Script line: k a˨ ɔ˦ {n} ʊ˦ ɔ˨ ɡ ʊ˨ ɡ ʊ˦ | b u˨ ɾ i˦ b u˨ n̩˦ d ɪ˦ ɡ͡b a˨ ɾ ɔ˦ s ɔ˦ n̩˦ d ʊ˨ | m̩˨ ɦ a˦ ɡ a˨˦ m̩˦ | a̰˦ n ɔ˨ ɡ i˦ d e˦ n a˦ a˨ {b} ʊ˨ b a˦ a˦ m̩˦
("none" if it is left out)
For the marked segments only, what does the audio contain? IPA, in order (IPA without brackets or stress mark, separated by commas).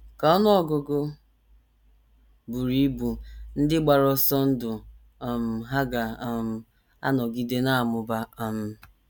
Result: n, m